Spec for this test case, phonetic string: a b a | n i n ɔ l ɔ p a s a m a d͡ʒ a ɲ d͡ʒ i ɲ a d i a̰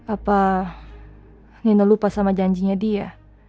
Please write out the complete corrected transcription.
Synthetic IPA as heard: a p a | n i n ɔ l u p a s a m a d͡ʒ a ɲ d͡ʒ i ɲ a d i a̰